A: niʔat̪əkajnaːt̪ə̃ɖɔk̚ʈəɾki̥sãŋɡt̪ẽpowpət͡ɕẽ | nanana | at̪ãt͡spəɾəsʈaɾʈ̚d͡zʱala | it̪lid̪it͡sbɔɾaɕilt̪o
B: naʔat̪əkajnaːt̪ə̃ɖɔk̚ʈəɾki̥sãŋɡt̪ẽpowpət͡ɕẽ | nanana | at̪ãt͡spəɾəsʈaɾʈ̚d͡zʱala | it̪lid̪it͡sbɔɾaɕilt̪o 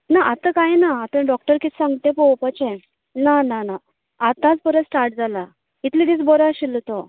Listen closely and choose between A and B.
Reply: B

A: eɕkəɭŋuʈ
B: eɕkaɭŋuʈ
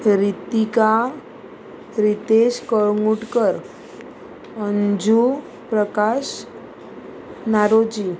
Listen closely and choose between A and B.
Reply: A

